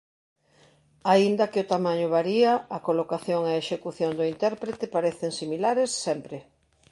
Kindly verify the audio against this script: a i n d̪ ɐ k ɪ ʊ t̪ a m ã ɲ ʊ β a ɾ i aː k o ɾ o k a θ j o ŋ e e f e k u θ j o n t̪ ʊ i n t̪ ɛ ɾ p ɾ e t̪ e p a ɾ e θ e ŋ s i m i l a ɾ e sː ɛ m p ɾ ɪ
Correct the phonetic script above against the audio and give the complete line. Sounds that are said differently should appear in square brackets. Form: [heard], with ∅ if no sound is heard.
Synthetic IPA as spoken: a i n d̪ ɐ k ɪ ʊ t̪ a m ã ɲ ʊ β a ɾ i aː k o [l] o k a θ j o ŋ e e [ʃ] e k u θ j o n [d̪] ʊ i n t̪ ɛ ɾ p ɾ e t̪ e p a ɾ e θ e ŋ s i m i l a ɾ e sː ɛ m p ɾ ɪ